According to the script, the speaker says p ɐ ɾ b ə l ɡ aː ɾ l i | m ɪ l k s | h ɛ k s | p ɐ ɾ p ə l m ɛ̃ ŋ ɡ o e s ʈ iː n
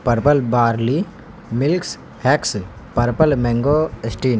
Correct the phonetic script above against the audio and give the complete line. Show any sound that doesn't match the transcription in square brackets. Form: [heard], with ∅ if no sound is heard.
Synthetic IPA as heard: p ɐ ɾ [p] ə l [b] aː ɾ l i | m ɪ l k s | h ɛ k s | p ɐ ɾ p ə l m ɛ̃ ŋ ɡ o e s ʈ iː n